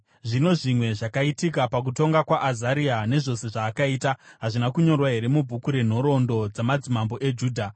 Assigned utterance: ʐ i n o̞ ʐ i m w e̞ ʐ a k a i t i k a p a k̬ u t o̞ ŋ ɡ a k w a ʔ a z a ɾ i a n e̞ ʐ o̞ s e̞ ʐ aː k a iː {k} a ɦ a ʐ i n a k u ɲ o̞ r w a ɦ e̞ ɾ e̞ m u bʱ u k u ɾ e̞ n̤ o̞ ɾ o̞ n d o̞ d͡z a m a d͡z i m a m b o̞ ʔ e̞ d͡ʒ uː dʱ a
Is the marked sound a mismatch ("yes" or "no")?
yes